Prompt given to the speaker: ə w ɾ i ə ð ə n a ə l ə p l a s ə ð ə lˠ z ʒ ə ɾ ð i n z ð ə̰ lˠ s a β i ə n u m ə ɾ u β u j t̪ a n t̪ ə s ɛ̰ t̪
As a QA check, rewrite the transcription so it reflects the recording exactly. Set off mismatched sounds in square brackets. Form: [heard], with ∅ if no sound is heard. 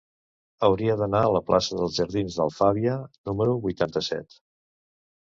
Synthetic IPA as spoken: ə w ɾ i ə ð ə n a ə l ə p l a s ə ð ə lˠ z ʒ ə ɾ ð i n z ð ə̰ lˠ [f] a β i ə n u m ə ɾ u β u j t̪ a n t̪ ə s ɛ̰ t̪